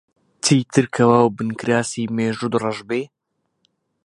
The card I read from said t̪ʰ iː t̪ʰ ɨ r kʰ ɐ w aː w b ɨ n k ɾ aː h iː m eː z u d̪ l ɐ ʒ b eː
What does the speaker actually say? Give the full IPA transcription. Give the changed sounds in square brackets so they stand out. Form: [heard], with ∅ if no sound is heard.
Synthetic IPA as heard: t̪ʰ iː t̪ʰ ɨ [ɾ] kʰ ɐ w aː w b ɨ n k ɾ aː [s] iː m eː [ʒ] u d̪ [r] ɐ ʒ b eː